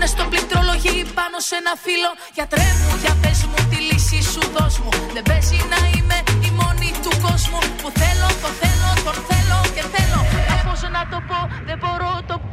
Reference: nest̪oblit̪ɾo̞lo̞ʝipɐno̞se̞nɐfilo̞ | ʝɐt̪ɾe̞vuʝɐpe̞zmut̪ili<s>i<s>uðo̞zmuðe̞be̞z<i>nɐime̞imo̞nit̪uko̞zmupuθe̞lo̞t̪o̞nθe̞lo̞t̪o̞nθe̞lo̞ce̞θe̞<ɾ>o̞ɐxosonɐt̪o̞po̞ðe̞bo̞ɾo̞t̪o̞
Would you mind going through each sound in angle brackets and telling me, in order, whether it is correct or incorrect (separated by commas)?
correct, correct, correct, incorrect